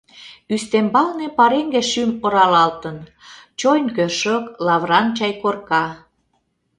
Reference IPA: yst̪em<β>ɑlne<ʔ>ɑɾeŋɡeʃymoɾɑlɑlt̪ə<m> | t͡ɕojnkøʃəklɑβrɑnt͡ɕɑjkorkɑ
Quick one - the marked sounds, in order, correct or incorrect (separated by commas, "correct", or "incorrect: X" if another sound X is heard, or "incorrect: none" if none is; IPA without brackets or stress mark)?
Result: incorrect: b, incorrect: p, incorrect: n